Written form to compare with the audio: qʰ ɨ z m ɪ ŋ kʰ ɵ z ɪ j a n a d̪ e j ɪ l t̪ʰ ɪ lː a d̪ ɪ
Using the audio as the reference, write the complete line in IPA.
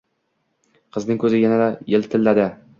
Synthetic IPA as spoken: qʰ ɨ z n ɪ ŋ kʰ ɵ z ɪ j a n a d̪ a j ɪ l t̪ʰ ɪ lː a d̪ ɪ

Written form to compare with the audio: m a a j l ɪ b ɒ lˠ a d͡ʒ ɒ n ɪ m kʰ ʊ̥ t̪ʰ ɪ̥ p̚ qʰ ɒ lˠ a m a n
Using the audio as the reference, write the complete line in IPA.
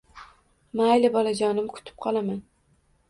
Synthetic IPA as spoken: m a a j l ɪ b ɒ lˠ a d͡ʒ ɒ n ɪ m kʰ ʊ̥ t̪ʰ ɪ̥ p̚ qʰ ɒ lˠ a m a n

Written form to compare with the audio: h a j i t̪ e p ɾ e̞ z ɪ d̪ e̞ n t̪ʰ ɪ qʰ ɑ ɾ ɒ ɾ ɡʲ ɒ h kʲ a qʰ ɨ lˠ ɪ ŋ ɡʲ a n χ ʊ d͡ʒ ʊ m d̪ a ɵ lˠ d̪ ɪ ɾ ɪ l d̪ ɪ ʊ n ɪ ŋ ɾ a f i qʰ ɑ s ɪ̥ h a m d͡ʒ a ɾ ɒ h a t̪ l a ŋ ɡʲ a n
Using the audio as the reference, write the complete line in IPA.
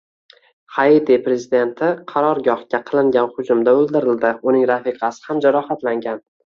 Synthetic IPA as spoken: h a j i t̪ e p ɾ e̞ z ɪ d̪ e̞ n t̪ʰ ɪ qʰ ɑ ɾ ɒ ɾ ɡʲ ɒ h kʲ a qʰ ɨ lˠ ɪ ŋ ɡʲ a n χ ʊ d͡ʒ ʊ m d̪ a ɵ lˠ d̪ ɪ ɾ ɪ l d̪ ɪ ʊ n ɪ ŋ ɾ a f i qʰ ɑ s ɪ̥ h a m d͡ʒ a ɾ ɒ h a t̪ l a ŋ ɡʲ a n

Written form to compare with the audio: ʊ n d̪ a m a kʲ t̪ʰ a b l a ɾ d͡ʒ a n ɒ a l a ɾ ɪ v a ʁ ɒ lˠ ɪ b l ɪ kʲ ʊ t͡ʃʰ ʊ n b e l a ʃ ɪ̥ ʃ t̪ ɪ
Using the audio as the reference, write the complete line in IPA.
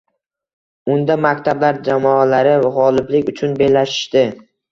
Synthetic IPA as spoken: ʊ n d̪ a m a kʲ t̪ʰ a b l a ɾ d͡ʒ a m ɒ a l a ɾ ɪ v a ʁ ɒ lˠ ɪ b l ɪ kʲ ʊ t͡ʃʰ ʊ n b e l a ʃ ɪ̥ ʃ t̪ ɪ

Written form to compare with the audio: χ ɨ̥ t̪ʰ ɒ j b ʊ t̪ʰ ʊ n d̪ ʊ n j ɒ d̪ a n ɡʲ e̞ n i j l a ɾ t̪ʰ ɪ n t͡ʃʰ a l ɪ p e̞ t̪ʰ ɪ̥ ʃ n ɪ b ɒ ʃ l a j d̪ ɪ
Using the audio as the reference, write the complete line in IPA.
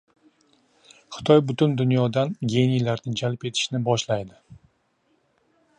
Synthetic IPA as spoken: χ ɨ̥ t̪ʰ ɒ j b ʊ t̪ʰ ʊ n d̪ ʊ n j ɒ d̪ a n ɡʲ e̞ n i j l a ɾ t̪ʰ ɪ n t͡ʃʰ a l ɪ p e̞ t̪ʰ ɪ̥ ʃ n ɪ b ɒ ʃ l a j d̪ ɪ

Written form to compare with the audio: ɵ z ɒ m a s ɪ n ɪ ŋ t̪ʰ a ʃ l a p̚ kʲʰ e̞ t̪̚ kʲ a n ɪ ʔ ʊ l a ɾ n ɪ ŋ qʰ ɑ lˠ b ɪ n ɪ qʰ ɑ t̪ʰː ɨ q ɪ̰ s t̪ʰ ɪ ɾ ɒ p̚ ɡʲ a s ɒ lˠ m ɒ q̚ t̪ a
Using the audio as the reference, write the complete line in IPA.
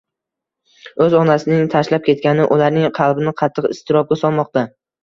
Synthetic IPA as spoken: ɵ z ɒ n a s ɪ n ɪ ŋ t̪ʰ a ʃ l a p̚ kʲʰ e̞ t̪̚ kʲ a n ɪ ʔ ʊ l a ɾ n ɪ ŋ qʰ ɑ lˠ b ɪ n ɪ qʰ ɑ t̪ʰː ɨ q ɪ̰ s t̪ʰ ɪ ɾ ɒ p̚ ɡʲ a s ɒ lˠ m ɒ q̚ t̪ a

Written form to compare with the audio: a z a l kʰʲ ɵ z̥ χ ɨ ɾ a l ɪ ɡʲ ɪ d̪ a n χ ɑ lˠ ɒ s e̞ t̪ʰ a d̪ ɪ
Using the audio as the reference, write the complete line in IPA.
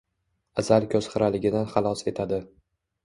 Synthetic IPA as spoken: a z a l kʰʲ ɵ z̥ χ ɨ ɾ a l ɪ ɡʲ ɪ d̪ a n χ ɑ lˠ ɒ s e̞ t̪ʰ a d̪ ɪ

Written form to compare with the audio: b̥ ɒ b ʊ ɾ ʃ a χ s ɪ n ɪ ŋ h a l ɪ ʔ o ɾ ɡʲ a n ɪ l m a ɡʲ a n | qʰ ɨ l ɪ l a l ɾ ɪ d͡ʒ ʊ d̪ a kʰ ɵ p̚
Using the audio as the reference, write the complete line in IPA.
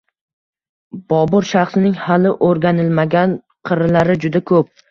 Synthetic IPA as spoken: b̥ ɒ b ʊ ɾ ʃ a χ s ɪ n ɪ ŋ h a l ɪ ʔ o ɾ ɡʲ a n ɪ l m a ɡʲ a n | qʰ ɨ ɾ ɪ l a ɾ ɪ d͡ʒ ʊ d̪ a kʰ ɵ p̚

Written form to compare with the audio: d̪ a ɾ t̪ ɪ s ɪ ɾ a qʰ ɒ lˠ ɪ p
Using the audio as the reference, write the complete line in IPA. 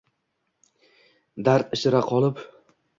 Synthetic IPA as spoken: d̪ a ɾ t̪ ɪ ʃ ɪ ɾ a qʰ ɒ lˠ ɪ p

